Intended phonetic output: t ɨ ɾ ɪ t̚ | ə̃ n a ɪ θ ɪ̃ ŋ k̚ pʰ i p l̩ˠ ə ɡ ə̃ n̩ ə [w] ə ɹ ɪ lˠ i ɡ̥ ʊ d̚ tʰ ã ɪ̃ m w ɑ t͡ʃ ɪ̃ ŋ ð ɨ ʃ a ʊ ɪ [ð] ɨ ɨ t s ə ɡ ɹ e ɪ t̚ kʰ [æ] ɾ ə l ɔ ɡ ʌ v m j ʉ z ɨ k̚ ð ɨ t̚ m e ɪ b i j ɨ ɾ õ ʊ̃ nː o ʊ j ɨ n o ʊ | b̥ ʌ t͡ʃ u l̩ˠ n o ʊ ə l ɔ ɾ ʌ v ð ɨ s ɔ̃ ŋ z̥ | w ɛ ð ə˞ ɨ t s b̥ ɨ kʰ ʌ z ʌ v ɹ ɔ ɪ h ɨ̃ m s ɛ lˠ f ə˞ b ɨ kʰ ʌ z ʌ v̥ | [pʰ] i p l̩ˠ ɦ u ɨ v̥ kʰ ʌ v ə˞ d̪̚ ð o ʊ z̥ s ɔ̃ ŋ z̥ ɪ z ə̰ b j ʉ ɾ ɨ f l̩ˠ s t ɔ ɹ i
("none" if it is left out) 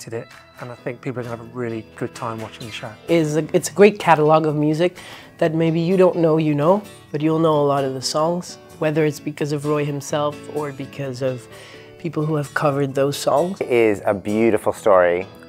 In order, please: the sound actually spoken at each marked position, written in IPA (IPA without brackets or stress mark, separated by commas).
v, z, æ, pʰ